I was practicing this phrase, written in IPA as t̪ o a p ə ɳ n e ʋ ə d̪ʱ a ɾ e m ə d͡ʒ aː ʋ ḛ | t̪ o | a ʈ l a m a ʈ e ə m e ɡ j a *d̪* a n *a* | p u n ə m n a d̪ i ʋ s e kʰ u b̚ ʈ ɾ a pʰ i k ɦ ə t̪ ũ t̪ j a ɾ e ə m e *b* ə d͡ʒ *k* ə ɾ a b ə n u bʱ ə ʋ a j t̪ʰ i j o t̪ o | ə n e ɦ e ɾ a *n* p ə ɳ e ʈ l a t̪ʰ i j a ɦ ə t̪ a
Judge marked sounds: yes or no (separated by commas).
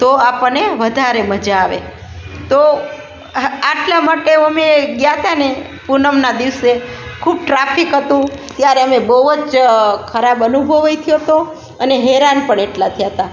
no, no, yes, no, yes